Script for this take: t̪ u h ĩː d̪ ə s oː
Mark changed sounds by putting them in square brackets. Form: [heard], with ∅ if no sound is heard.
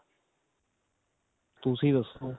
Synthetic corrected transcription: t̪ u [s] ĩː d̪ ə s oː